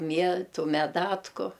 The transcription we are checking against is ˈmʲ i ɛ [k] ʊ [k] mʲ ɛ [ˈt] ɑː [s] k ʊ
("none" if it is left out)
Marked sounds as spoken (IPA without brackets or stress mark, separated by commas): t, none, d, t